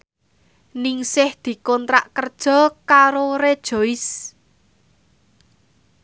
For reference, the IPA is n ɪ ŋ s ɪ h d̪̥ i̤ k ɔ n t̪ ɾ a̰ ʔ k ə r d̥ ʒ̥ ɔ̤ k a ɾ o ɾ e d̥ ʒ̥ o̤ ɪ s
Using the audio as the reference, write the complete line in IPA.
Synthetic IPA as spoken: n ɪ ŋ s ɪ h d̪̥ i̤ k ɔ n t̪ ɾ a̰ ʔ k ə r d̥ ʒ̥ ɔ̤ k a ɾ o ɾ e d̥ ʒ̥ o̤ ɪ s